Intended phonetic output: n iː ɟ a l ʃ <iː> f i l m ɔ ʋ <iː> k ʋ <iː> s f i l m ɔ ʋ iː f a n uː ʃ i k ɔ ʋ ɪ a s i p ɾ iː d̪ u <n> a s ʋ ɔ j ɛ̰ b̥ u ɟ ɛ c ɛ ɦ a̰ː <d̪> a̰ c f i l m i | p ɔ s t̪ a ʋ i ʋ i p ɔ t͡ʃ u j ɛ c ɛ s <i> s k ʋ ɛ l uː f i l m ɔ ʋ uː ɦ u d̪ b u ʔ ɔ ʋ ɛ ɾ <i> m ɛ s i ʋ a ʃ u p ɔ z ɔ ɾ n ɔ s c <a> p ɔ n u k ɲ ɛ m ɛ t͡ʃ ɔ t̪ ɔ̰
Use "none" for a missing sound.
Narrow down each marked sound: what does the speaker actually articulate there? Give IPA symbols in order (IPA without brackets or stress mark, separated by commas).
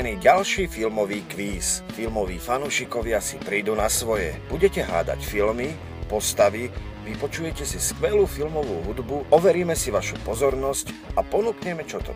iː, iː, iː, n, d̪, i, iː, a